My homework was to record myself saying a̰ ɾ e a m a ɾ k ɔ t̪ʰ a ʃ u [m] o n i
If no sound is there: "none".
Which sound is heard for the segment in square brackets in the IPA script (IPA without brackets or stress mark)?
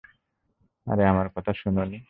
n